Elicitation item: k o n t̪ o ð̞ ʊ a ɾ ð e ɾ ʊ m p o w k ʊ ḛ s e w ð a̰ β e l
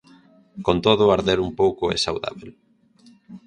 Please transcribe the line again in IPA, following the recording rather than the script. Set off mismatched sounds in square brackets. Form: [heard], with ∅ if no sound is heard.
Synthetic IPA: k o n t̪ o ð̞ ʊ a ɾ ð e ɾ [u] m p o w k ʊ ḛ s [a] w ð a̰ β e l